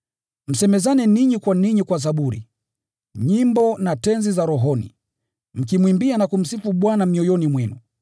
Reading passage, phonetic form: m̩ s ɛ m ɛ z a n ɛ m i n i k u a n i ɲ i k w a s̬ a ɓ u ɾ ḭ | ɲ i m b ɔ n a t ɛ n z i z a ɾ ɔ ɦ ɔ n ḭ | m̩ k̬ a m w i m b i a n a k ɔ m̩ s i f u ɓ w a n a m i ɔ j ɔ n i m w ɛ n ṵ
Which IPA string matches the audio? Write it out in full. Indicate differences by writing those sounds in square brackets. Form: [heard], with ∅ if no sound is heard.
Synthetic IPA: m̩ s ɛ m ɛ z a n ɛ [n] i [ɲ] i k [w] a n i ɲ i k w a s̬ a ɓ u ɾ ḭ | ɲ i m b ɔ n a t ɛ n z i z a ɾ ɔ ɦ ɔ n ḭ | m̩ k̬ [i] m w i m b i a n a k [u] m̩ s i f u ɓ w a n a m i ɔ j ɔ n i m w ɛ n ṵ